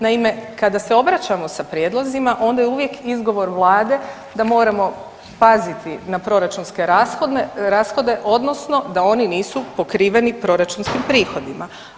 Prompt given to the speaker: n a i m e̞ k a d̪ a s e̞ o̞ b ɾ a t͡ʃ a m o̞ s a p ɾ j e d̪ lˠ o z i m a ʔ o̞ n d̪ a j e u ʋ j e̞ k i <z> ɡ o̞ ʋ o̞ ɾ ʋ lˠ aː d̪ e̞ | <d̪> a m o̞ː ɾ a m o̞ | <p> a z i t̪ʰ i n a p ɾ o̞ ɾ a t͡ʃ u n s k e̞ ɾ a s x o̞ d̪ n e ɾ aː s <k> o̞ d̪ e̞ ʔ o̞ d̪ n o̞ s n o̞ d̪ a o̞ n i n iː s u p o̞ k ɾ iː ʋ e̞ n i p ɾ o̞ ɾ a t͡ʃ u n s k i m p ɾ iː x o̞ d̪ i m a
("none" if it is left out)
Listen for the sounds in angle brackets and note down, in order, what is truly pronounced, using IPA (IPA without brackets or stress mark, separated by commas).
z, d̪, p, x